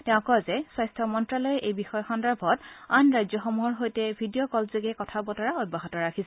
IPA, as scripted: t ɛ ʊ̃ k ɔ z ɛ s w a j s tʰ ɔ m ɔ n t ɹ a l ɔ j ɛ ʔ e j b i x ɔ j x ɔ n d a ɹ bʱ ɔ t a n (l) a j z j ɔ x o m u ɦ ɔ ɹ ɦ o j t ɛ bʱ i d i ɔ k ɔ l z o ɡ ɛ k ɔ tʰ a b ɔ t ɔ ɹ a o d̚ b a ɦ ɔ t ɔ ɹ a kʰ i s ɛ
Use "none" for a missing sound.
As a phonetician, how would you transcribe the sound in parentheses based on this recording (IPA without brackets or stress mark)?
ɹ